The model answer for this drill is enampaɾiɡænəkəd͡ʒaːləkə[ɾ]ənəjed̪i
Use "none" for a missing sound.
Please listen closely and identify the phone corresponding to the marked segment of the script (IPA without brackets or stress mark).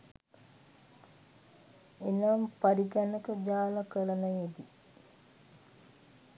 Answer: l